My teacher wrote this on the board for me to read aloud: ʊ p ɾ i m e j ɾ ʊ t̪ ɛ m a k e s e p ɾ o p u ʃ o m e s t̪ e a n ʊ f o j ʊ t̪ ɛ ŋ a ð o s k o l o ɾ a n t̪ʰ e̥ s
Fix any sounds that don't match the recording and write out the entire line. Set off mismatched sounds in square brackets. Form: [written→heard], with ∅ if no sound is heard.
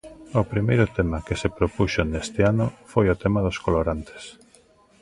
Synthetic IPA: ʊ p ɾ i m e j ɾ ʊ t̪ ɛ m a k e s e p ɾ o p u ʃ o [m→n] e s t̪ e a n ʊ f o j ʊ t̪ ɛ [ŋ→m] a ð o s k o l o ɾ a n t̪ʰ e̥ s

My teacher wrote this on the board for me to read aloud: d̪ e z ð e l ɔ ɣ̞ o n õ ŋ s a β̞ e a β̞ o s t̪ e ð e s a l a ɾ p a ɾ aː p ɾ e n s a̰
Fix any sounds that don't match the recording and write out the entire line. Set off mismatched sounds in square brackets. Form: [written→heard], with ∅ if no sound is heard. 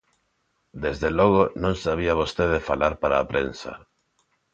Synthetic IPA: d̪ e z ð e l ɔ ɣ̞ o n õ ŋ s a β̞ [e→i] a β̞ o s t̪ e ð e [s→f] a l a ɾ p a ɾ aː p ɾ e n s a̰

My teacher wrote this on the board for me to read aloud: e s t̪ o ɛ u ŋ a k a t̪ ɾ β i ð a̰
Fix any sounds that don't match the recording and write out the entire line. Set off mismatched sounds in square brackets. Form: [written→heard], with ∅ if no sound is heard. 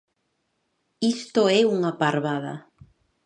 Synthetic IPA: [e→i] s t̪ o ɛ u ŋ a [k→p] a [t̪→∅] ɾ β [i→a] ð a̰

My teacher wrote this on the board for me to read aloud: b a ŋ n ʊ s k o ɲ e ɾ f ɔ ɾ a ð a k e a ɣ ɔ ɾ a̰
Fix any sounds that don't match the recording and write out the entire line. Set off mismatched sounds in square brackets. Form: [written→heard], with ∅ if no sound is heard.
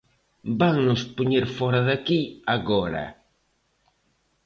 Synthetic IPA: b a ŋ n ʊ s [k→p] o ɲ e ɾ f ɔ ɾ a ð a k [e→i] a ɣ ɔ ɾ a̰

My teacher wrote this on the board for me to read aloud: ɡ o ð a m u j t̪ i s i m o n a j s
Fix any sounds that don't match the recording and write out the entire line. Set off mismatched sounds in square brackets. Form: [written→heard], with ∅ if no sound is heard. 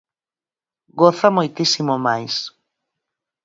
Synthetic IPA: ɡ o [ð→θ] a m [u→o] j t̪ i s i m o [n→m] a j s

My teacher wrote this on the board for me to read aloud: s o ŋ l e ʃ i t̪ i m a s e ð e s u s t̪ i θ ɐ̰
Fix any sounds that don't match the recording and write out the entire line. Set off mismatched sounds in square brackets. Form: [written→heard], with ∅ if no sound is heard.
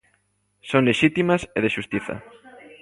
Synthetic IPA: s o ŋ l e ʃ i t̪ i m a s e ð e [s→ʃ] u s t̪ i θ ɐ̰

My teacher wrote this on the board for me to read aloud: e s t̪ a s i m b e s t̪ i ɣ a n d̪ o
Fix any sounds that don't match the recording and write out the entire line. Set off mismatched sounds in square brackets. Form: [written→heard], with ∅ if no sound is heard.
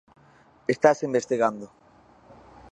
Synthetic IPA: e s t̪ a s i m b e s t̪ i ɣ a n d̪ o

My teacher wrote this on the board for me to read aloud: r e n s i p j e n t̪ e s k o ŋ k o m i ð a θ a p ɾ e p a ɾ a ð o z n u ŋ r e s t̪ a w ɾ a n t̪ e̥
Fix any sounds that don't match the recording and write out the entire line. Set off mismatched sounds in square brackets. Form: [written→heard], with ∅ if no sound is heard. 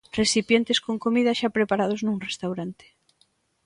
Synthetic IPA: r e [n→∅] s i p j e n t̪ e s k o ŋ k o m i ð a [θ→ʃ] a p ɾ e p a ɾ a ð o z n u ŋ r e s t̪ a w ɾ a n t̪ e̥

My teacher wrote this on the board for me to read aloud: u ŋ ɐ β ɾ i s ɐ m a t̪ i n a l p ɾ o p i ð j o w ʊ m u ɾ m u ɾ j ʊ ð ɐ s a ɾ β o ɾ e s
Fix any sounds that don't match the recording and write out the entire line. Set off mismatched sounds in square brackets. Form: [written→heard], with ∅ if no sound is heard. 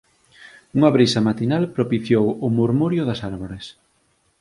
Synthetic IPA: u ŋ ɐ β ɾ i s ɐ m a t̪ i n a l p ɾ o p i [ð→θ] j o w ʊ m u ɾ m u ɾ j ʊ ð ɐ s a ɾ β o ɾ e s

